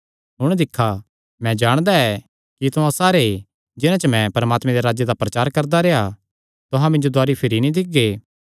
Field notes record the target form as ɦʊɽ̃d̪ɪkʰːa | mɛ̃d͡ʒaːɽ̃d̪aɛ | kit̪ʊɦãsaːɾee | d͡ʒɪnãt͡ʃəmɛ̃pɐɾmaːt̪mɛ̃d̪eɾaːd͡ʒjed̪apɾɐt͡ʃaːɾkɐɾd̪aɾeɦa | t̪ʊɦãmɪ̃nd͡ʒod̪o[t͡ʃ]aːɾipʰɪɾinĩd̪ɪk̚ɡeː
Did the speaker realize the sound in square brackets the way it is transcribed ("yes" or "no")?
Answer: no